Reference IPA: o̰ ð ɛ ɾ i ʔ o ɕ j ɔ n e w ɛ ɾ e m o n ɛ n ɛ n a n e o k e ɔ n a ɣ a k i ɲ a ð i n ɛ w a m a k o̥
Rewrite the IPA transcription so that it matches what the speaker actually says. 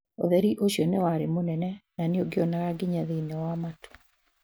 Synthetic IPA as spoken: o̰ ð ɛ ɾ i ʔ o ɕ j ɔ n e w a ɾ e m o n ɛ n ɛ n a n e o ɡ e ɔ n a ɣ a ɡ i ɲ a ð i n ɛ w a m a t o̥